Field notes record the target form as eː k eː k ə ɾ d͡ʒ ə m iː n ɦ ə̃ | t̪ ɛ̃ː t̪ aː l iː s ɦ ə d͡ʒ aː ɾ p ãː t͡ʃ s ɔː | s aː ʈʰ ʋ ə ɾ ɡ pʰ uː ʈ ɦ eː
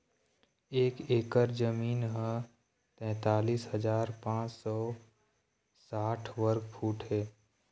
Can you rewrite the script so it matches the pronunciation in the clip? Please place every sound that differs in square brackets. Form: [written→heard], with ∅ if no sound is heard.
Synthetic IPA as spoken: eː k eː k ə ɾ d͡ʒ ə m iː n ɦ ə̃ | t̪ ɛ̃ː t̪ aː l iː s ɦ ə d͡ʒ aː ɾ p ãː t͡ʃ s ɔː | s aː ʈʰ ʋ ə ɾ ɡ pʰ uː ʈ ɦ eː